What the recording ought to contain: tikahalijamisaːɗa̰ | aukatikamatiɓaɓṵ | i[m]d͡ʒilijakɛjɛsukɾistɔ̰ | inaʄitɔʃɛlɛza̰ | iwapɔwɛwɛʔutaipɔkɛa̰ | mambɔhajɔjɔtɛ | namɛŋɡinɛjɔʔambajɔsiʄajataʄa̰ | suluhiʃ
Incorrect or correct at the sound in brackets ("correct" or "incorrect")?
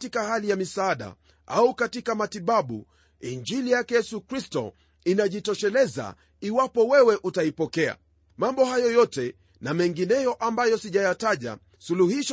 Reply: incorrect